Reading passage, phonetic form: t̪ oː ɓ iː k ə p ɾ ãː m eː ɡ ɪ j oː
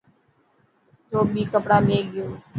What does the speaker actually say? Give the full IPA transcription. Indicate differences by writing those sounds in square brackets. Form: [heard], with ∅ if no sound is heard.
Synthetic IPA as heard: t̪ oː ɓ iː k ə p [ɽ] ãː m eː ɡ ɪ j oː